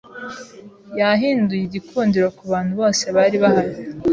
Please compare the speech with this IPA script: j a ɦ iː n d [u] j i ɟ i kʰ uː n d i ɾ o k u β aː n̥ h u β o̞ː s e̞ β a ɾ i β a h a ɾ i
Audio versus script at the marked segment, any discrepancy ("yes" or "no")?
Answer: no